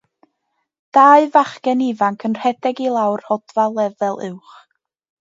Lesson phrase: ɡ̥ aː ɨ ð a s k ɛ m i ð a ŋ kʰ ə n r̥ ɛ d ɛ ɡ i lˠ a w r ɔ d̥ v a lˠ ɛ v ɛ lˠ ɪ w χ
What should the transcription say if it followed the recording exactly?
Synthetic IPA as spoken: d̥ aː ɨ v a χ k ɛ n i v a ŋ kʰ ə n r̥ ɛ d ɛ ɡ i lˠ a w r ɔ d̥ v a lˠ ɛ v ɛ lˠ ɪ w χ